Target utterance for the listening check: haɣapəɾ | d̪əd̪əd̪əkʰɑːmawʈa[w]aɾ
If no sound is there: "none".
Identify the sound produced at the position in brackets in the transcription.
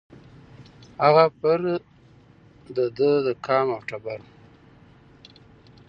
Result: b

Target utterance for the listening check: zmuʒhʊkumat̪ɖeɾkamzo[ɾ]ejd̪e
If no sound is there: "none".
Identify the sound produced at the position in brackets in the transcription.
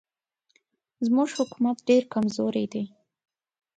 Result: ɾ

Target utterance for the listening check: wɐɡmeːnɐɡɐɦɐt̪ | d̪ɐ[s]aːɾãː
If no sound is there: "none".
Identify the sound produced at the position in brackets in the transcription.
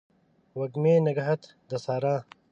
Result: s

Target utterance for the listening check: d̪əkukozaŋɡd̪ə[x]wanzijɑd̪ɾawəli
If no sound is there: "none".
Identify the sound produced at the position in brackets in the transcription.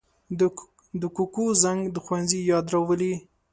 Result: x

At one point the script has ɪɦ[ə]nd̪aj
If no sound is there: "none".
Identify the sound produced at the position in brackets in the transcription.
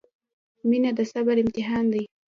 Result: ɑ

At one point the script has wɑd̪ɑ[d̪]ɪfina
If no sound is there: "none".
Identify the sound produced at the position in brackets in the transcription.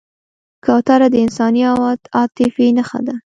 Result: t̪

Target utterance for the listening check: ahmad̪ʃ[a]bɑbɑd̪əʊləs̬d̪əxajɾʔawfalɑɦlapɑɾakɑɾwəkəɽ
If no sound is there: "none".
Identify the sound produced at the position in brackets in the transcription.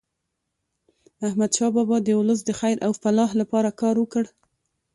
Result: ɑ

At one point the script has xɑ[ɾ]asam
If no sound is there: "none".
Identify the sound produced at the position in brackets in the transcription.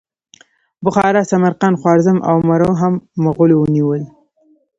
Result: ɾ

